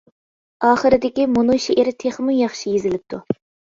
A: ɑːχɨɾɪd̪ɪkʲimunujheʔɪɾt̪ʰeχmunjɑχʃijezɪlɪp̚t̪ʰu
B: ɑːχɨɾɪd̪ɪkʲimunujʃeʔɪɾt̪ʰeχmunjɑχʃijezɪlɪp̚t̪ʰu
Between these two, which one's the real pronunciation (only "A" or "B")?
B